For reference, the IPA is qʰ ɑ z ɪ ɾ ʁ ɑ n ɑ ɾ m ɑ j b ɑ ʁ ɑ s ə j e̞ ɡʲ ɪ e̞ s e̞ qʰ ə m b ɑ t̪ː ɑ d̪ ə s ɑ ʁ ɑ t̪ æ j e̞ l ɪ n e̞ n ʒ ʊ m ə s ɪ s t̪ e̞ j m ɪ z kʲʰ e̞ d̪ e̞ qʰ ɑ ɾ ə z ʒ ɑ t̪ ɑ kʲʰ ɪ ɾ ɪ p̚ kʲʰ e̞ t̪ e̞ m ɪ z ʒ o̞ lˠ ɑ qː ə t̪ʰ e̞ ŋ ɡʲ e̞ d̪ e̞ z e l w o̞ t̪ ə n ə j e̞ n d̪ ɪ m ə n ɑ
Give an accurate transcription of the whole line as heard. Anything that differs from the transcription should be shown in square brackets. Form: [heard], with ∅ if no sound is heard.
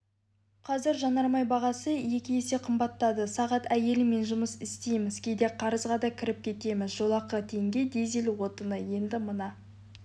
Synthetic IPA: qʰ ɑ z ɪ ɾ [ʒ] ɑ n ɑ ɾ m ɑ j b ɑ ʁ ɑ s ə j e̞ [kʲ] ɪ e̞ s e̞ qʰ ə m b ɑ t̪ː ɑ d̪ ə s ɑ ʁ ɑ t̪ æ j e̞ l ɪ [m] e̞ n ʒ ʊ m ə s ɪ s t̪ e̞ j m ɪ z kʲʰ e̞ d̪ e̞ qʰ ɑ ɾ ə z [ʁ] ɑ [d̪] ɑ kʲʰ ɪ ɾ ɪ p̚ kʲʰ e̞ t̪ e̞ m ɪ z ʒ o̞ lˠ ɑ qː ə t̪ʰ e̞ ŋ ɡʲ e̞ d̪ e̞ z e l w o̞ t̪ ə n ə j e̞ n d̪ ɪ m ə n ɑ

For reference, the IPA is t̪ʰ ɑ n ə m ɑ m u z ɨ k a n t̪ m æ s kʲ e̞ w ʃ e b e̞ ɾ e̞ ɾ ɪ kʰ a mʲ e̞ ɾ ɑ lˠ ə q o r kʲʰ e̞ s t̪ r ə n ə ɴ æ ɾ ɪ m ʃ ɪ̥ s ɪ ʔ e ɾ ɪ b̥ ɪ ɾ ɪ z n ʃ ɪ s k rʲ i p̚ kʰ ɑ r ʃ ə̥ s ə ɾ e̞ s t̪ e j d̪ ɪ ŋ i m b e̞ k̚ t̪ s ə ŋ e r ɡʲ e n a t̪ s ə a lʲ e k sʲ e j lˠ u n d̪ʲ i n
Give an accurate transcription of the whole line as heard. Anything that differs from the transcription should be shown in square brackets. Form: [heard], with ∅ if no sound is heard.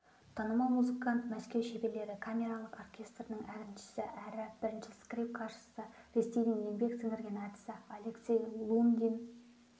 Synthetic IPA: t̪ʰ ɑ n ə m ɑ m u z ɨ k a n t̪ m æ s kʲ e̞ w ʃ e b e̞ [l] e̞ ɾ ɪ kʰ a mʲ e̞ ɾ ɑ lˠ ə q o r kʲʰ e̞ s t̪ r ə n ə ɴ æ ɾ ɪ m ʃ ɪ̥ s ɪ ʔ [æ] ɾ ɪ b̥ ɪ ɾ ɪ [∅] n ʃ ɪ s k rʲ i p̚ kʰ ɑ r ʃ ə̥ s ə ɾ e̞ s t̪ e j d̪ ɪ ŋ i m b e̞ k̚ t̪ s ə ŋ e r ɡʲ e n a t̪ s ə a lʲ e k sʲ e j lˠ u n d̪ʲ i n

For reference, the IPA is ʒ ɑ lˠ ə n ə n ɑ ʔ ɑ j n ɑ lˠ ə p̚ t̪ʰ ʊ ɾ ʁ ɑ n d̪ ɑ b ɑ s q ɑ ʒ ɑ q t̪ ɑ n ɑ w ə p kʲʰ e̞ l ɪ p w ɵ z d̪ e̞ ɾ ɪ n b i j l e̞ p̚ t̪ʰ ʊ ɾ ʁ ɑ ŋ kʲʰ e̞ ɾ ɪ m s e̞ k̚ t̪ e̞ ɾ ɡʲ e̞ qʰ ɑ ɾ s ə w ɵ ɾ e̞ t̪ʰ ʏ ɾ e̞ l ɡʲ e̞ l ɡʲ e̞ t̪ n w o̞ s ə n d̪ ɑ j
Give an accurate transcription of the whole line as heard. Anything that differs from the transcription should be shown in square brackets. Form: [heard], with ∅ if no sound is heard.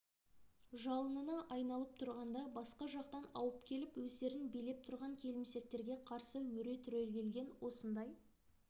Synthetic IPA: ʒ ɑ lˠ ə n ə n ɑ ʔ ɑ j n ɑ lˠ ə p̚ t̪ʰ ʊ ɾ ʁ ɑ n d̪ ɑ b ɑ s q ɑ ʒ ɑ q t̪ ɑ n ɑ w ə p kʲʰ e̞ l ɪ p w ɵ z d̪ e̞ ɾ ɪ n b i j l e̞ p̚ t̪ʰ ʊ ɾ ʁ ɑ ŋ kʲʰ e̞ [l] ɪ m s e̞ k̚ t̪ e̞ ɾ ɡʲ e̞ qʰ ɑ ɾ s ə w ɵ ɾ e̞ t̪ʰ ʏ ɾ e̞ l ɡʲ e̞ l ɡʲ e̞ [∅] n w o̞ s ə n d̪ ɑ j

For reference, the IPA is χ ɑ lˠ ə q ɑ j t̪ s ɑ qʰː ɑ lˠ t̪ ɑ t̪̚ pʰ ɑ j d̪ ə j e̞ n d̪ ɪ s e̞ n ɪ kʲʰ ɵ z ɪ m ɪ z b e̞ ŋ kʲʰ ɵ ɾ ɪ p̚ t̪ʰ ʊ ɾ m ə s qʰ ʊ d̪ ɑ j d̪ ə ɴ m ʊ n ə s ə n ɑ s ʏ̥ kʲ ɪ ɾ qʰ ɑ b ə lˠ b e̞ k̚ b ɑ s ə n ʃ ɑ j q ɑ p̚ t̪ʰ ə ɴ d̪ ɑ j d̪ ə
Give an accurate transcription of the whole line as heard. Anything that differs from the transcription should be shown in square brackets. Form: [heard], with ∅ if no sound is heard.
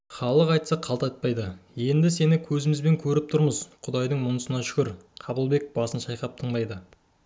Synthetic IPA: χ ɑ lˠ ə q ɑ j t̪ s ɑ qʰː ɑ lˠ t̪ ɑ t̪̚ [p] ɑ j d̪ ə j e̞ n d̪ ɪ s e̞ n ɪ kʲʰ ɵ z ɪ m ɪ z b e̞ ŋ kʲʰ ɵ ɾ ɪ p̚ t̪ʰ ʊ ɾ m ə [z] qʰ ʊ d̪ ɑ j d̪ ə ɴ m ʊ n ə s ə n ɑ [ʃ] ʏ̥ kʲ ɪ ɾ qʰ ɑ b ə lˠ b e̞ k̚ b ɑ s ə n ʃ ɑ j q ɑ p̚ t̪ʰ ə ɴ d̪ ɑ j d̪ ə

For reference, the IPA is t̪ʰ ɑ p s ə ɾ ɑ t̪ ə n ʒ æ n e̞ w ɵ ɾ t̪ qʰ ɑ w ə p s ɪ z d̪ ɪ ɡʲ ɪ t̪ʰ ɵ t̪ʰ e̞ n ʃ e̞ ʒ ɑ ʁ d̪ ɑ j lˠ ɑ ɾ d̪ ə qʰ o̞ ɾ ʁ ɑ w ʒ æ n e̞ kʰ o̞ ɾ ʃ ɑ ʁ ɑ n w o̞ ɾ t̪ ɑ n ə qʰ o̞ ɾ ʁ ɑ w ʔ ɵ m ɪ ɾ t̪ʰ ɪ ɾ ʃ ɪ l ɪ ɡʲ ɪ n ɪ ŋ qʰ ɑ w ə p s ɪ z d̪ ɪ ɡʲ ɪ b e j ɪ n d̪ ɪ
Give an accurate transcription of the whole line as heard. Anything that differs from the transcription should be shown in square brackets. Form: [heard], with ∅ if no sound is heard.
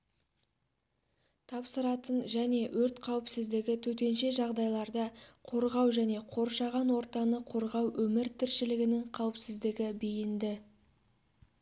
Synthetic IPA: t̪ʰ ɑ p s ə ɾ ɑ t̪ ə n ʒ æ n e̞ w ɵ ɾ t̪ qʰ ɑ w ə p s ɪ z d̪ ɪ ɡʲ ɪ t̪ʰ ɵ [t̪] e̞ n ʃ e̞ ʒ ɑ ʁ d̪ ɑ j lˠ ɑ ɾ d̪ ə qʰ o̞ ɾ ʁ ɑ w ʒ æ n e̞ [qʰ] o̞ ɾ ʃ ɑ ʁ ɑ n w o̞ ɾ t̪ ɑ n ə qʰ o̞ ɾ ʁ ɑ w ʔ ɵ m ɪ ɾ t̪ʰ ɪ ɾ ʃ ɪ l ɪ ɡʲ ɪ n ɪ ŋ qʰ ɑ w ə p s ɪ z d̪ ɪ ɡʲ ɪ b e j ɪ n d̪ ɪ

